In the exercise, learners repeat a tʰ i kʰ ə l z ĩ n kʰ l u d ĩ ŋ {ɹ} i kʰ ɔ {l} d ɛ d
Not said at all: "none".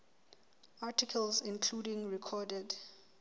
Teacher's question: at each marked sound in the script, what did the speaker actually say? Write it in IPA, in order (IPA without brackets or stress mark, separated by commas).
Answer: ɹ, none